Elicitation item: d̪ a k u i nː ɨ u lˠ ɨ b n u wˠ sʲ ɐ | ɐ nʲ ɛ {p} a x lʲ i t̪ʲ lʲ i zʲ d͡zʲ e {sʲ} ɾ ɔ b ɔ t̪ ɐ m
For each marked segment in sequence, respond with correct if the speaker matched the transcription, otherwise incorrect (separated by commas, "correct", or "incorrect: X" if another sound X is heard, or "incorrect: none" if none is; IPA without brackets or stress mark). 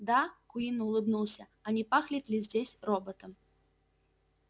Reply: correct, correct